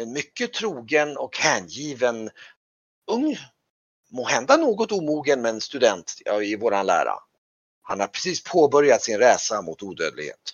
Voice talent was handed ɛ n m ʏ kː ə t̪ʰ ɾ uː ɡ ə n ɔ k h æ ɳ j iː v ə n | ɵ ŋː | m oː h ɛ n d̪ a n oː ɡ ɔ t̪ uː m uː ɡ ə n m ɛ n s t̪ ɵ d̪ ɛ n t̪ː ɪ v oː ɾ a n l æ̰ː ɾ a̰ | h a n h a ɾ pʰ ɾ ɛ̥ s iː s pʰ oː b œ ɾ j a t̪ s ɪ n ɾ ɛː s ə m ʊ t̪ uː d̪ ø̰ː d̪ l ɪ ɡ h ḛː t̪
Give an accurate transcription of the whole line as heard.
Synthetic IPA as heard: ɛ n m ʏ kː ə t̪ʰ ɾ uː ɡ ə n ɔ k h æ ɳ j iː v ə n | ɵ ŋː | m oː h ɛ n d̪ a n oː ɡ ɔ t̪ uː m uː ɡ ə n m ɛ n s t̪ ɵ d̪ ɛ n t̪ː ɪ v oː ɾ a n l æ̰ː ɾ a̰ | h a n h a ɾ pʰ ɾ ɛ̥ s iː s pʰ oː b œ ɾ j a t̪ s ɪ n ɾ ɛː s a m ʊ t̪ uː d̪ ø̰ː d̪ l ɪ ɡ h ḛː t̪